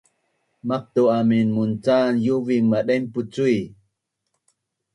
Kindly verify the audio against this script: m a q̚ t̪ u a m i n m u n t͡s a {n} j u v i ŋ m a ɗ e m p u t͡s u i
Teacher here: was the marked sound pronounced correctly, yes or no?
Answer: yes